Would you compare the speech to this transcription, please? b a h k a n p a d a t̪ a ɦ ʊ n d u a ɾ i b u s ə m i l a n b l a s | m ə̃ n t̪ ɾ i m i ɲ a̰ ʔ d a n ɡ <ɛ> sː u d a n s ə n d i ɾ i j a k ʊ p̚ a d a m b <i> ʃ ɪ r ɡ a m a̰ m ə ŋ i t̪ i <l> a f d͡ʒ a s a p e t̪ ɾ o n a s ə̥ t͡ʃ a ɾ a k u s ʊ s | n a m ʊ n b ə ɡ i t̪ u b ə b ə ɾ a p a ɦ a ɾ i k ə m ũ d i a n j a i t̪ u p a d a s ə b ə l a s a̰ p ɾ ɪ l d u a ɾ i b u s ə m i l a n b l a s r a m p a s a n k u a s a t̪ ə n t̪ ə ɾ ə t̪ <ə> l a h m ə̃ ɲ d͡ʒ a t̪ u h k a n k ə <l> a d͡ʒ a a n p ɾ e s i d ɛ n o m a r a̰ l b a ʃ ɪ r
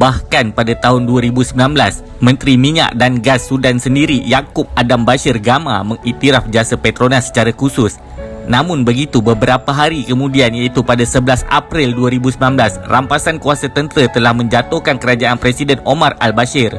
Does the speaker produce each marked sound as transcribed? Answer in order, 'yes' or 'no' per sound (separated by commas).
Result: no, no, no, yes, no